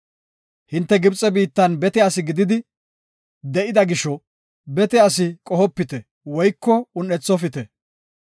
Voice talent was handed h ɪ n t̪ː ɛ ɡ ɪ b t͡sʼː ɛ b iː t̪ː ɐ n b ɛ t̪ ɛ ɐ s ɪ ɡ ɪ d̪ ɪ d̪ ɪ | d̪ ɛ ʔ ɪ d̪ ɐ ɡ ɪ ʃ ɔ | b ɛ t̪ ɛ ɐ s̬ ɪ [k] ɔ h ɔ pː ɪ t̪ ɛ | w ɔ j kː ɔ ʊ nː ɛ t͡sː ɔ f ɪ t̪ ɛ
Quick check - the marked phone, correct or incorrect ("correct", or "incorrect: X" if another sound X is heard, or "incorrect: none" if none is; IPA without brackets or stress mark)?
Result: incorrect: kʼ